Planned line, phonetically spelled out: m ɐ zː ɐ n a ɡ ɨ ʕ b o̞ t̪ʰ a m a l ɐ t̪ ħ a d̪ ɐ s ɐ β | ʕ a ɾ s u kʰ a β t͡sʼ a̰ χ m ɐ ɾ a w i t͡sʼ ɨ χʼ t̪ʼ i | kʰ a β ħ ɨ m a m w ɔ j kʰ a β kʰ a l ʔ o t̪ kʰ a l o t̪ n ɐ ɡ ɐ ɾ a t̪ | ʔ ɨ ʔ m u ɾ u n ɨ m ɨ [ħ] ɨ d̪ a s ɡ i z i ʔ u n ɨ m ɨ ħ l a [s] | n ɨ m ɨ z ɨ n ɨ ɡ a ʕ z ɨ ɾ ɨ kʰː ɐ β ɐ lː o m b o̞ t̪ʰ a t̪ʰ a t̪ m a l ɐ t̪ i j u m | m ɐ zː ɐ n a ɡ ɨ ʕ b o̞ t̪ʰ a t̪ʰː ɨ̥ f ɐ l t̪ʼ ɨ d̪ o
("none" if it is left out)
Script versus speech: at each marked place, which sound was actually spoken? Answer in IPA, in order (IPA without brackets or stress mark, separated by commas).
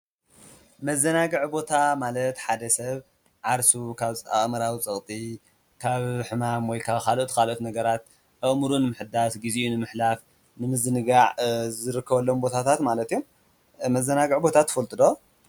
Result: ħ, f